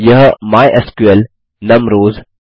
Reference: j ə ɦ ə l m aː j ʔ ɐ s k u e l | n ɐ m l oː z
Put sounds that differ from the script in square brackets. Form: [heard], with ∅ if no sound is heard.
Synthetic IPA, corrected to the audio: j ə ɦ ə [∅] m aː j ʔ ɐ s k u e l | n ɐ m [ɾ] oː z